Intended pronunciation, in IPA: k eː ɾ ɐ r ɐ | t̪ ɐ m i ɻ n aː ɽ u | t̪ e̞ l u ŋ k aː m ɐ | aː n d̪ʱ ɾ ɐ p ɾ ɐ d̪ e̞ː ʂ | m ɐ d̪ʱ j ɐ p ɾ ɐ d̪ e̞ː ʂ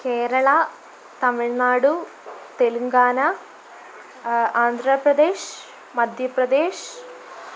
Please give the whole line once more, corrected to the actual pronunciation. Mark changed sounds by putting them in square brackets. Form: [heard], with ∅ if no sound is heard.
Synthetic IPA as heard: k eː ɾ ɐ [ɭ] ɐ | t̪ ɐ m i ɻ n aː ɽ u | t̪ e̞ l u ŋ [ɡ] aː [n] ɐ | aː n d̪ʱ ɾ ɐ p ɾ ɐ d̪ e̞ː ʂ | m ɐ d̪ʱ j ɐ p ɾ ɐ d̪ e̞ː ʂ

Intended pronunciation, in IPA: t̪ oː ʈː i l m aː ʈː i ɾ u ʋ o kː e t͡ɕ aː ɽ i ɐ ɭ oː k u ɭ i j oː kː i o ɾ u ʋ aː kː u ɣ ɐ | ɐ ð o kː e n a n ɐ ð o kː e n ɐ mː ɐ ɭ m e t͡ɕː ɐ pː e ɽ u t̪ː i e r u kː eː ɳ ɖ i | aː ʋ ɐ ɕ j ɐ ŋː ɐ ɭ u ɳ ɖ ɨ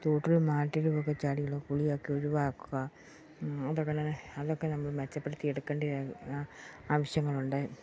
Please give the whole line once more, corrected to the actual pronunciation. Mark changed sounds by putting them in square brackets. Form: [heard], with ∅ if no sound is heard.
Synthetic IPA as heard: t̪ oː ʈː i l m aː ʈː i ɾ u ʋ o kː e t͡ɕ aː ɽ i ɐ ɭ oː k u ɭ i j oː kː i o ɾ u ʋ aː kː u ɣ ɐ | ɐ ð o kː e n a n ɐ ð o kː e n ɐ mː ɐ ɭ m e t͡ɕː ɐ pː e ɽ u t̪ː i e [ɽ] u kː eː ɳ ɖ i | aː ʋ ɐ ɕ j ɐ ŋː ɐ ɭ u ɳ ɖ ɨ

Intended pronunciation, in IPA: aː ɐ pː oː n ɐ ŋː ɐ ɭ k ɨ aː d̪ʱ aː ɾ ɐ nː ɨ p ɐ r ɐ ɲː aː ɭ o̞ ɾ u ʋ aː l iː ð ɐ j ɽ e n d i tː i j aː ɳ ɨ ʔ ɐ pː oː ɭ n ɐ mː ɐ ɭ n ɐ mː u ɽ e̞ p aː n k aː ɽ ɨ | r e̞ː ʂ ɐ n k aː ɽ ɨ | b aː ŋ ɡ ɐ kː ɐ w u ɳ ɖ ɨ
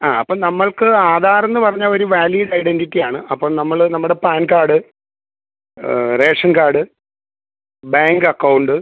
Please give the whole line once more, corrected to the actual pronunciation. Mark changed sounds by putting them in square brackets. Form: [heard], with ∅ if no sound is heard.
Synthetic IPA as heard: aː ɐ pː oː n ɐ [mː] ɐ ɭ k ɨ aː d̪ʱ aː ɾ ɐ nː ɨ p ɐ r ɐ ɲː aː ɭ o̞ ɾ u ʋ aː l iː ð ɐ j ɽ e n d i tː i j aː ɳ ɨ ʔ ɐ pː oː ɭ n ɐ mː ɐ ɭ n ɐ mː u ɽ e̞ p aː n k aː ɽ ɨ | r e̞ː ʂ ɐ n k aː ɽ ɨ | b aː ŋ ɡ ɐ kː ɐ w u ɳ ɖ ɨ

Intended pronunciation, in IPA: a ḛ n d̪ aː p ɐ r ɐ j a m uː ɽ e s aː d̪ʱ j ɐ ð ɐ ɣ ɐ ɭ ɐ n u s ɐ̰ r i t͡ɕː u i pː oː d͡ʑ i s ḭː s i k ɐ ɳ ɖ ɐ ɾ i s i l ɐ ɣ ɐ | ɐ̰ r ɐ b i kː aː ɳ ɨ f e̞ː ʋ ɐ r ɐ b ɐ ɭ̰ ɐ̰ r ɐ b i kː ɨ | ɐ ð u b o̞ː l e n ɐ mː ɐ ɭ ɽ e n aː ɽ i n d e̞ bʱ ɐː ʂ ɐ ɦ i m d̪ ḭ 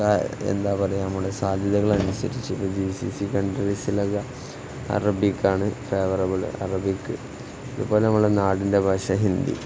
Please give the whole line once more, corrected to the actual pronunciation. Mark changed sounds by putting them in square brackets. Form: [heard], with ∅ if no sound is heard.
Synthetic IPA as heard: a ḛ n d̪ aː p ɐ r ɐ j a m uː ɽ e s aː d̪ʱ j ɐ ð ɐ ɣ ɐ ɭ ɐ n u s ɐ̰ [ɾ] i t͡ɕː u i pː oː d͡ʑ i s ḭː s i k ɐ ɳ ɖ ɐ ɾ i s i l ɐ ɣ ɐ | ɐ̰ r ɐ b i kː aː ɳ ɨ f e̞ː ʋ ɐ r ɐ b ɐ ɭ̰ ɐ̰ r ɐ b i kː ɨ | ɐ ð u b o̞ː l e n ɐ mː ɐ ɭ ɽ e n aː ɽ i n d e̞ bʱ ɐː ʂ ɐ ɦ i [n] d̪ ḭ

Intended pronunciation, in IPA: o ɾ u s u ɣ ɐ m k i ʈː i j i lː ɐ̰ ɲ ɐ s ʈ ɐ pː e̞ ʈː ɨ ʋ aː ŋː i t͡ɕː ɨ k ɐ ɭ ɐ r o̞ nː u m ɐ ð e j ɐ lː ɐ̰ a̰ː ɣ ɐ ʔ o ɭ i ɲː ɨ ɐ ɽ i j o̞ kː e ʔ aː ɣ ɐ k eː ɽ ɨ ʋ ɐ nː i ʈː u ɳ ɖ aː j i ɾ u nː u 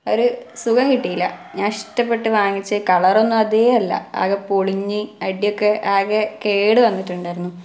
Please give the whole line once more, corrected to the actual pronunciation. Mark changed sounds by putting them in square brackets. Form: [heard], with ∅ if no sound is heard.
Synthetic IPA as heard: o ɾ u s u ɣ ɐ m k i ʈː i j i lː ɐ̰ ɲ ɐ [ʂ] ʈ ɐ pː e̞ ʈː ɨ ʋ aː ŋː i t͡ɕː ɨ k ɐ ɭ ɐ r o̞ nː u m ɐ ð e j ɐ lː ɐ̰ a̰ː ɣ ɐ [p] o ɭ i ɲː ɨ ɐ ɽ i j o̞ kː e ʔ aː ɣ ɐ k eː ɽ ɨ ʋ ɐ nː i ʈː u ɳ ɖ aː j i ɾ u nː u

